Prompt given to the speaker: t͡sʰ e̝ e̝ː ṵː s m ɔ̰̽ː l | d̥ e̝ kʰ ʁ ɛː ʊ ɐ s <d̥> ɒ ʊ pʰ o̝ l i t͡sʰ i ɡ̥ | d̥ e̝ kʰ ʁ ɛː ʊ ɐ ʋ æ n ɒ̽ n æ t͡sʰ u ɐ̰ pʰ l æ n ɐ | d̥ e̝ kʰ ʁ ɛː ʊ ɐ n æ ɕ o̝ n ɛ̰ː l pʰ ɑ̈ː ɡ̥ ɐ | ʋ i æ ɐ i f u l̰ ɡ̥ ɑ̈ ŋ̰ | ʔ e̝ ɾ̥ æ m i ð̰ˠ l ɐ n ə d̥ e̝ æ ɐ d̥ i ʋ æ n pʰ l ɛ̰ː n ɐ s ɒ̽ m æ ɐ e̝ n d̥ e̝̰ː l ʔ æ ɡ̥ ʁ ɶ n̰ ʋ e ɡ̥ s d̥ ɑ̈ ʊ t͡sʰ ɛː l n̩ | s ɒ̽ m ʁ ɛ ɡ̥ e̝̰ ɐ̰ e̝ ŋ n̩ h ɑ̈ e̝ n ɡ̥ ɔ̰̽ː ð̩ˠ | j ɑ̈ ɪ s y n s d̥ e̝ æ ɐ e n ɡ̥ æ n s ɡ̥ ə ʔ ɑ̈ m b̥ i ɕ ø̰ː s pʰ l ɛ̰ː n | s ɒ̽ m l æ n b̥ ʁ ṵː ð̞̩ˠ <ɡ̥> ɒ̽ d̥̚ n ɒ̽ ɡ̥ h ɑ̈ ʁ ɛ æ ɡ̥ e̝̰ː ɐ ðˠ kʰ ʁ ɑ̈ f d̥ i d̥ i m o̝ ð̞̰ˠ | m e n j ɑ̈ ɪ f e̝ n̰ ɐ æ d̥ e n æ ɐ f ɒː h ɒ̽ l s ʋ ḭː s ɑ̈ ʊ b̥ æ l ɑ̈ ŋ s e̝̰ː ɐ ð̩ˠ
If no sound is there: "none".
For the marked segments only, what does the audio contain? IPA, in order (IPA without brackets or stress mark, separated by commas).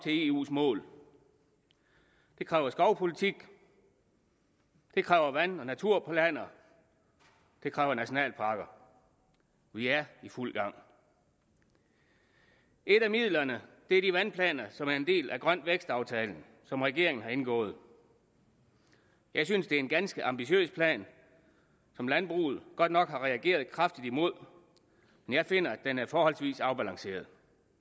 ɡ̥, ɡ̥